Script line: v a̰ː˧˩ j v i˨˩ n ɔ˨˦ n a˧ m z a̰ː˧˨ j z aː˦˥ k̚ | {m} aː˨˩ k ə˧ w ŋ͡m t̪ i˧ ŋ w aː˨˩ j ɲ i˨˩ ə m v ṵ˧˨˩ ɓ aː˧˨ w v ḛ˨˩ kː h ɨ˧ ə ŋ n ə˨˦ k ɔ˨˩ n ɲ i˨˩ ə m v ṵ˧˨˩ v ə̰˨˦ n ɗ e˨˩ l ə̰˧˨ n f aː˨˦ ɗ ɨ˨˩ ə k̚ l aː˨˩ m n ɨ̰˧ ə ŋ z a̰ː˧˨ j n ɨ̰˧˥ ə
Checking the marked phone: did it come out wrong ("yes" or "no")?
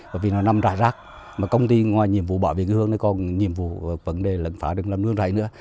no